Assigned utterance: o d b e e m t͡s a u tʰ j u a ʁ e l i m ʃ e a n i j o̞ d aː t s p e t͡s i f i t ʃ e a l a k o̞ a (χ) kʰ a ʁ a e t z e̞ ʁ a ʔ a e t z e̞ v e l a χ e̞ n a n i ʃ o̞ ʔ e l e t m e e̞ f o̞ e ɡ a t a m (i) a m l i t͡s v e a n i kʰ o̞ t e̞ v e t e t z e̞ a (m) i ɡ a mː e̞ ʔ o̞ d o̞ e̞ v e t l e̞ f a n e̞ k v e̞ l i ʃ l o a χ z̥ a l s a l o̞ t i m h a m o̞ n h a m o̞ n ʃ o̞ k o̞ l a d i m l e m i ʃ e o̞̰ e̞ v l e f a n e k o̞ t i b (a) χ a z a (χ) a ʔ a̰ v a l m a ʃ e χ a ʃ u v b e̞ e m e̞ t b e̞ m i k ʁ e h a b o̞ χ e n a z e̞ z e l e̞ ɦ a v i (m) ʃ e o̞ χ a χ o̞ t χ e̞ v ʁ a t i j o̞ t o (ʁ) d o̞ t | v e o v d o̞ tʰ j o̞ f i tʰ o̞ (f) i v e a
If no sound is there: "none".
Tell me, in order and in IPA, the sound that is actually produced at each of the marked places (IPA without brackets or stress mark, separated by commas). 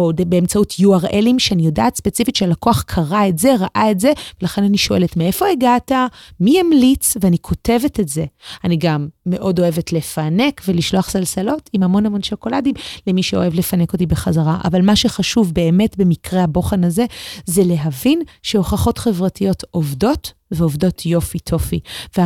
χ, i, n, e, ʁ, n, v, f